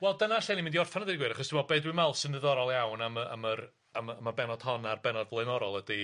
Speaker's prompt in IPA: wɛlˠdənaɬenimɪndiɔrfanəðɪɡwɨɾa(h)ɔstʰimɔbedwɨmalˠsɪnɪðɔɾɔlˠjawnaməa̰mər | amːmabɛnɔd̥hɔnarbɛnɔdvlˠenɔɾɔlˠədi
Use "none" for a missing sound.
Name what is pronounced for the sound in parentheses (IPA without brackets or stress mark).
χ